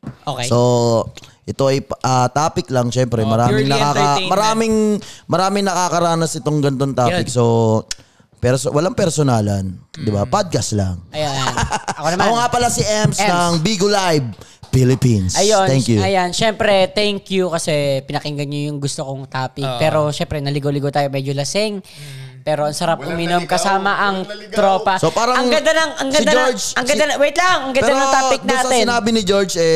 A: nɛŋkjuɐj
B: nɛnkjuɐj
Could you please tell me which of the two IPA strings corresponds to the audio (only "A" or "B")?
A